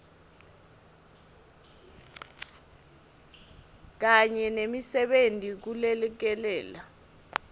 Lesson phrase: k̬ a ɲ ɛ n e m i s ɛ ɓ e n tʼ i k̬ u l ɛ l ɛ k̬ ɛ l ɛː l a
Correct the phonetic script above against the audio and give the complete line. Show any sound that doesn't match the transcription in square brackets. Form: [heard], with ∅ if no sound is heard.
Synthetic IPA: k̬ a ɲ ɛ n e m i s ɛ ɓ e n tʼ i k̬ u l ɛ l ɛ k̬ ɛ l ɛː l a